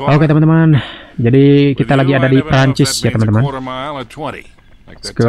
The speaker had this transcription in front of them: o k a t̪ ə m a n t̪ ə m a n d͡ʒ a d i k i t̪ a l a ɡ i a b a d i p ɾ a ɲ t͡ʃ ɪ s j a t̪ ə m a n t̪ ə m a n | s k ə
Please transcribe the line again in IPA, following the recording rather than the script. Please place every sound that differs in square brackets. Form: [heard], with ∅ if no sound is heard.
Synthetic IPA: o k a t̪ ə m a n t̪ ə m a n d͡ʒ a d i k i t̪ a l a ɡ i a [d] a d i p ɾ a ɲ t͡ʃ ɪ s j a t̪ ə m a n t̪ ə m a n | s k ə